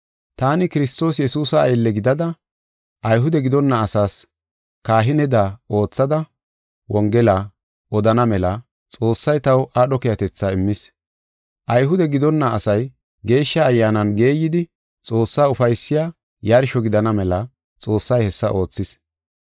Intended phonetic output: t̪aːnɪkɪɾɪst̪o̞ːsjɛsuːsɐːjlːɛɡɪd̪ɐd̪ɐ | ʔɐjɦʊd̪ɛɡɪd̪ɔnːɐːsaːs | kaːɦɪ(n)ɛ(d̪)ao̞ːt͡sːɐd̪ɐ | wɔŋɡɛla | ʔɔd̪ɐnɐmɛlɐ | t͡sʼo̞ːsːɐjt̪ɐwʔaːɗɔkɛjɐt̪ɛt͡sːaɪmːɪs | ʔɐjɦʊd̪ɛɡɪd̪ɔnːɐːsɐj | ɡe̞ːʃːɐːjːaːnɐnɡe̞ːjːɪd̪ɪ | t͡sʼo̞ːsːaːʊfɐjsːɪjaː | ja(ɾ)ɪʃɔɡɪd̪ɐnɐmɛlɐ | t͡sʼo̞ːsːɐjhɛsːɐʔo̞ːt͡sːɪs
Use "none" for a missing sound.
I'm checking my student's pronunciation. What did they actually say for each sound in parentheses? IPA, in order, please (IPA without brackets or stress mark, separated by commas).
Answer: n, d̪, ɾ